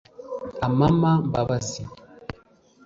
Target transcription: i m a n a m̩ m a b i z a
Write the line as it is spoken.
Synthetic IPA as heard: a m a m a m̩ b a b a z i